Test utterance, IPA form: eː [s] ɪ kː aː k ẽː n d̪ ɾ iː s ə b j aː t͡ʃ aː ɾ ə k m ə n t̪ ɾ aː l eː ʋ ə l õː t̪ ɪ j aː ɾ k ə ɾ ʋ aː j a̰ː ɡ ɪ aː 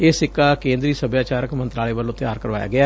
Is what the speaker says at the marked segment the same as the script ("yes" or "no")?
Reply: yes